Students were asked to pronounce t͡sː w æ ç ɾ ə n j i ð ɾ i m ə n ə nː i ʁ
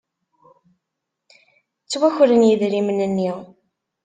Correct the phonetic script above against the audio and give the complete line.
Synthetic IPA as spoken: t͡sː w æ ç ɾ ə n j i ð ɾ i m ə n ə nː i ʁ